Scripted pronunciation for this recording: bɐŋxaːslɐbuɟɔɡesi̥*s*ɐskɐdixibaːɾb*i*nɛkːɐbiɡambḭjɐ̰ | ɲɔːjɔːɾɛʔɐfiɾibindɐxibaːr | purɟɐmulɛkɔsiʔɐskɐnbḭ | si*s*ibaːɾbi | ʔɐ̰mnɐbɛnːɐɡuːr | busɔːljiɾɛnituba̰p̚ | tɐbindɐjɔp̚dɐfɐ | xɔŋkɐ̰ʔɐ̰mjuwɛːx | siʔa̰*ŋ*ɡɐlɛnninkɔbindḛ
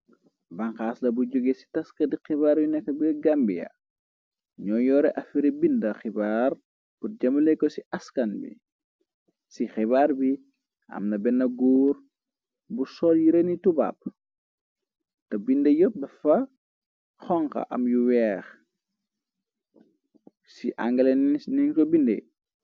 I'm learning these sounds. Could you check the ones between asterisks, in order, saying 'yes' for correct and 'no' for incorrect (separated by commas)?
no, yes, no, yes